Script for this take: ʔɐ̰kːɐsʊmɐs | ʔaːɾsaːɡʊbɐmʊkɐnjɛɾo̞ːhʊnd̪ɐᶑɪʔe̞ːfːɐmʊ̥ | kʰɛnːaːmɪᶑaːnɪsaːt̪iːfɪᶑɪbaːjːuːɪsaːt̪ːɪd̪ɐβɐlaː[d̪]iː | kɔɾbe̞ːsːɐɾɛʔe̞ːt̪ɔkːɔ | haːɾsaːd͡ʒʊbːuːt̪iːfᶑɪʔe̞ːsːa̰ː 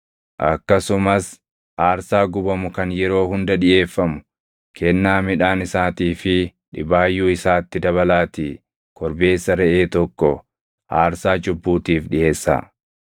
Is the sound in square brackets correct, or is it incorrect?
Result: incorrect